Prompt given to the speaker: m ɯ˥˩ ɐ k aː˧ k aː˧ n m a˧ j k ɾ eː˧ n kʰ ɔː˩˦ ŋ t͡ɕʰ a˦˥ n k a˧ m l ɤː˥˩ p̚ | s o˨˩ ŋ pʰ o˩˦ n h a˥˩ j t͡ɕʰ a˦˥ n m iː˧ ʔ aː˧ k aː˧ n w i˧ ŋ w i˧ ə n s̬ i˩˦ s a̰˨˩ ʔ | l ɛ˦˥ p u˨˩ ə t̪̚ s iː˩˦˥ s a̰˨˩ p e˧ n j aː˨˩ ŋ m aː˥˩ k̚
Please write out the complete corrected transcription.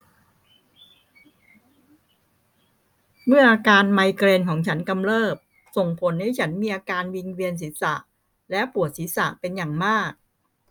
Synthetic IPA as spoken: m ɯ˥˩ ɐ ʔ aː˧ k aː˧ n m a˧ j k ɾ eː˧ n kʰ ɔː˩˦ ŋ t͡ɕʰ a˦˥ n k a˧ m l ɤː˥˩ p̚ | s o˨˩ ŋ pʰ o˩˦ n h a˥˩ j t͡ɕʰ a˦˥ n m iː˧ ʔ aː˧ k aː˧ n w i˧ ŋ w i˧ ə n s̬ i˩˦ s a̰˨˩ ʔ | l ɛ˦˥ p u˨˩ ə t̪̚ s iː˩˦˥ s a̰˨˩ p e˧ n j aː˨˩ ŋ m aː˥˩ k̚